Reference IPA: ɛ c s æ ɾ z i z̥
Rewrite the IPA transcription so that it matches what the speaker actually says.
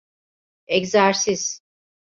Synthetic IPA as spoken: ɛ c z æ ɾ s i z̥